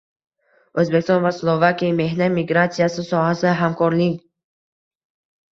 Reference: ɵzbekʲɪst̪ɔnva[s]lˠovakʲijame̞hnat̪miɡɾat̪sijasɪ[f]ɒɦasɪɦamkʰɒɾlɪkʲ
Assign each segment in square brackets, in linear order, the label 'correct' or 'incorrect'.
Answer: correct, incorrect: s

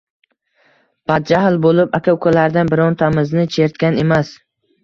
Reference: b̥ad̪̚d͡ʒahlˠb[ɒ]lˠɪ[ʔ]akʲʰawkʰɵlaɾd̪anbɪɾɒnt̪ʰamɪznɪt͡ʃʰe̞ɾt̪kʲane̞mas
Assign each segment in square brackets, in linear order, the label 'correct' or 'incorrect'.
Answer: incorrect: o, incorrect: p

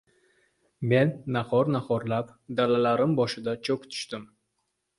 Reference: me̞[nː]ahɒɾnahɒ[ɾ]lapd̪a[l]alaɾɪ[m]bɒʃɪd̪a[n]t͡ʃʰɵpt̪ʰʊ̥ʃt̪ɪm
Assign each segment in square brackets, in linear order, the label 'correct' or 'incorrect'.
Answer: correct, correct, correct, correct, incorrect: none

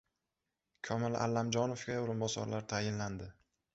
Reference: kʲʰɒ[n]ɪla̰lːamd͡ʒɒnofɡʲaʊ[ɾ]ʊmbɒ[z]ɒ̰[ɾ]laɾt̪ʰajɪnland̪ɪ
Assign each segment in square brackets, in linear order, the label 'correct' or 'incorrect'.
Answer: incorrect: m, correct, incorrect: s, correct

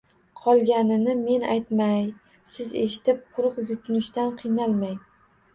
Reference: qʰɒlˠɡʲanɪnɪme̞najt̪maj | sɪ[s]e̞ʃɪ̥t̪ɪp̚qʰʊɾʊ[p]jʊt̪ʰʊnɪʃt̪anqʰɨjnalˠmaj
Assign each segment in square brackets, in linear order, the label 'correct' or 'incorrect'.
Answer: incorrect: z, incorrect: q

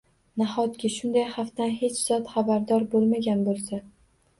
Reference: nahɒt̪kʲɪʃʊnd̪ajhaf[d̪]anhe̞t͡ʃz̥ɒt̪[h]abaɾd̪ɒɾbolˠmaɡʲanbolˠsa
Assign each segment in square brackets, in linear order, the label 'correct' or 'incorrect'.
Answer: incorrect: t̪, incorrect: χ

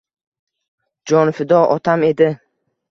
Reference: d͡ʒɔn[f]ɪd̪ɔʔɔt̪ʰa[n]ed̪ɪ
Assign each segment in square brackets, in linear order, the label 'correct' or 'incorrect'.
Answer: correct, incorrect: m

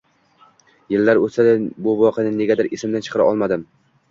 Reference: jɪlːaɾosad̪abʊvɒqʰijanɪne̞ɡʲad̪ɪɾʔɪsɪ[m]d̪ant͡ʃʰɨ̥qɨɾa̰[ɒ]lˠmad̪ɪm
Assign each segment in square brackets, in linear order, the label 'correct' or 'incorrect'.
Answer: correct, correct

